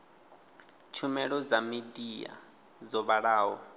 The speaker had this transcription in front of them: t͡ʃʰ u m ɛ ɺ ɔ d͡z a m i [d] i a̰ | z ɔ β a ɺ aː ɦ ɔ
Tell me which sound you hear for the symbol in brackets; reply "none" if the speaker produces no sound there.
d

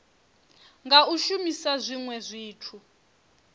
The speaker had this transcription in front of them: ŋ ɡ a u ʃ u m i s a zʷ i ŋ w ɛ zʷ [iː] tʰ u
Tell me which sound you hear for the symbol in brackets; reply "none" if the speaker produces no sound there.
iː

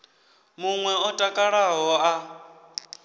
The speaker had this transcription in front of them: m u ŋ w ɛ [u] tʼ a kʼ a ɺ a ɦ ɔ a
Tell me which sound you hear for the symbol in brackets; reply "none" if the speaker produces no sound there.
ɔ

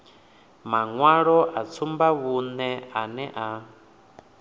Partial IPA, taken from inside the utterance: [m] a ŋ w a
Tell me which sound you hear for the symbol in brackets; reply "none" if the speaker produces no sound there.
m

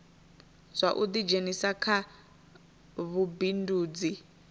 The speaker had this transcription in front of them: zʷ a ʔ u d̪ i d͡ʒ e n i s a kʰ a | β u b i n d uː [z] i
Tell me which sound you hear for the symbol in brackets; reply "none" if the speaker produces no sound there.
d͡z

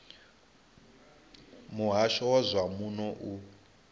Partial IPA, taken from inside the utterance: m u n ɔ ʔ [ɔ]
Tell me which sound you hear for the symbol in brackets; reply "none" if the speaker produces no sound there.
u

